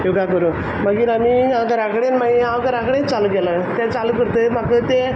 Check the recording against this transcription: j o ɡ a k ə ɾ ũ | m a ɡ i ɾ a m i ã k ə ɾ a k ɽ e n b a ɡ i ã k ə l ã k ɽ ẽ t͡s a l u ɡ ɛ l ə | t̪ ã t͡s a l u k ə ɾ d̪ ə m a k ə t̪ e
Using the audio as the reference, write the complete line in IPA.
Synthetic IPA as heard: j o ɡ a k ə ɾ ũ | m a ɡ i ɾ a m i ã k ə ɾ a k ɽ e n m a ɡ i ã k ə ɾ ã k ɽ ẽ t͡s a l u ɡ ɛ l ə | t̪ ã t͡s a l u k ə ɾ t̪ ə m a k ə t̪ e